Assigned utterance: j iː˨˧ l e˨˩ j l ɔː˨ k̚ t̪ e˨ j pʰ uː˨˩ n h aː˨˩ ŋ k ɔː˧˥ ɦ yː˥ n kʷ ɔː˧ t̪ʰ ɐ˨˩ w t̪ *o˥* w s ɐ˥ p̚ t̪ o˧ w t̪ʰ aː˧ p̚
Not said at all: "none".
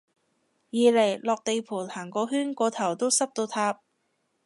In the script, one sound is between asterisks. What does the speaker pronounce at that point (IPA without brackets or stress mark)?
o˥